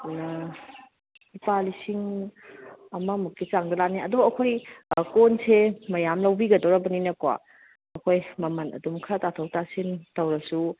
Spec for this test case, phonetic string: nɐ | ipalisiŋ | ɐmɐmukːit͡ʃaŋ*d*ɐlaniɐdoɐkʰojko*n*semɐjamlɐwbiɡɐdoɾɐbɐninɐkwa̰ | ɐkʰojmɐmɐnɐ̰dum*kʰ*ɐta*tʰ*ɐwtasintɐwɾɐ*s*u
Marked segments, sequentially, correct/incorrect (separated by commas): correct, correct, correct, correct, correct